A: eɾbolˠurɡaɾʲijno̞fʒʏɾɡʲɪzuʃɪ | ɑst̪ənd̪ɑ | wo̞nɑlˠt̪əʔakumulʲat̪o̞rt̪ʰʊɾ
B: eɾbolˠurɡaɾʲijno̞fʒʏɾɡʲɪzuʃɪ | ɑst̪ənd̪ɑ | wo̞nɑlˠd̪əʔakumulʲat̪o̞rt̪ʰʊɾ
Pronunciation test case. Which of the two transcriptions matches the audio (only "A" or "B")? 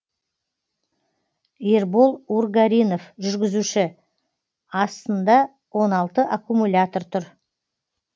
A